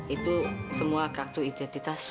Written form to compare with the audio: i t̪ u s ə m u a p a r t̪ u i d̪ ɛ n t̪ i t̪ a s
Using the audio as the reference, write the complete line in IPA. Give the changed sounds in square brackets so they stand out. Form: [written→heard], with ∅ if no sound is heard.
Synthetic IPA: i t̪ u s ə m u a [p→k] a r t̪ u i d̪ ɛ n t̪ i t̪ a s